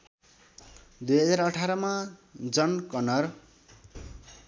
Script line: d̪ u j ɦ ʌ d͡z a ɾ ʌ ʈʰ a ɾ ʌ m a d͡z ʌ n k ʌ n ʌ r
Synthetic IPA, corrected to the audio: d̪ u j ɦ ʌ d͡z a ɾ ʌ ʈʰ a ɾ ʌ m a d͡z ʌ n k ʌ n ʌ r